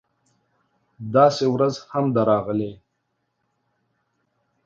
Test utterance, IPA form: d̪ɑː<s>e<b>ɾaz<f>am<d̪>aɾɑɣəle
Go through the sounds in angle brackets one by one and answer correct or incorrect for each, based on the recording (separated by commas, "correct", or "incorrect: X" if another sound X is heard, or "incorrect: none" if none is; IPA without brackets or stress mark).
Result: correct, incorrect: w, incorrect: h, correct